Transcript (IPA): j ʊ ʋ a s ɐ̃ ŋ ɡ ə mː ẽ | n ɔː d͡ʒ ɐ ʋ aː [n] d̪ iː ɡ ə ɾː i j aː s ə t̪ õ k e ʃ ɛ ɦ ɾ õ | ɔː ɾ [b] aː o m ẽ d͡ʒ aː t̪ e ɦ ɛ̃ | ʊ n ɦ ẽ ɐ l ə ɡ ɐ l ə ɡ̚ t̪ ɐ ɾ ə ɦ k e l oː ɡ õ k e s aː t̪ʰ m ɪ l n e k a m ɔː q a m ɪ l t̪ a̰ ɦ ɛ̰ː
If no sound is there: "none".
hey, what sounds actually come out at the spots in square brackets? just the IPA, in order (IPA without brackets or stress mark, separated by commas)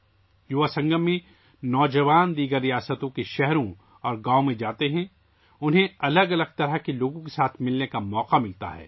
n, ɡ